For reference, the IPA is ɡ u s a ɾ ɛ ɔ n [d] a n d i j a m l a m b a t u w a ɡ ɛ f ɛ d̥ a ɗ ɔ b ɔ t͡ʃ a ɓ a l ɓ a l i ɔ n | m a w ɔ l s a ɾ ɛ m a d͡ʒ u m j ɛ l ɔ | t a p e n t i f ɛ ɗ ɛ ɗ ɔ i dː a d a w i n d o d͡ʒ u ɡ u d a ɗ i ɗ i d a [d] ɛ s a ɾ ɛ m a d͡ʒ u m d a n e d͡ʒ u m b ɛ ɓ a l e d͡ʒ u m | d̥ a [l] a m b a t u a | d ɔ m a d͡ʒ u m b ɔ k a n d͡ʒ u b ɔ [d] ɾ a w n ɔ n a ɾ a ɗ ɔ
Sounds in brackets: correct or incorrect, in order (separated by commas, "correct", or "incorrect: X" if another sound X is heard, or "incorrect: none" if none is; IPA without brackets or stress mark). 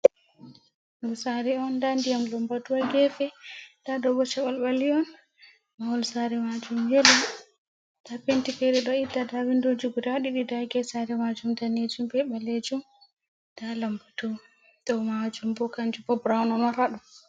correct, incorrect: ɡ, correct, incorrect: b